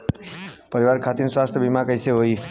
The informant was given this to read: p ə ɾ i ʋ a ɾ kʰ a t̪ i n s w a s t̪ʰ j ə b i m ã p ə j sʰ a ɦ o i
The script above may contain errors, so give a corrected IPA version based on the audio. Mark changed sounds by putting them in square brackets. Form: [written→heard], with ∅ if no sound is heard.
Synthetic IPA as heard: p ə ɾ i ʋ a ɾ kʰ a t̪ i n s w a s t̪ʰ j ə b i m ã [p→k] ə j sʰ [a→e] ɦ o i